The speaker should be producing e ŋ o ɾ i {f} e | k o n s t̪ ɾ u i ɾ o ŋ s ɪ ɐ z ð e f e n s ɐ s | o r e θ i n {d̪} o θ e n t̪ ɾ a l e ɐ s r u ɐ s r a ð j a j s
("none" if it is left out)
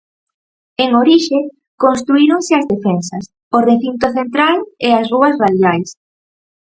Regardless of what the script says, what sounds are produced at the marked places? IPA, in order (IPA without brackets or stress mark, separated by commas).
ʃ, t̪